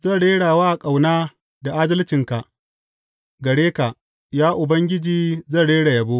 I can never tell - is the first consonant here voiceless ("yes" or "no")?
no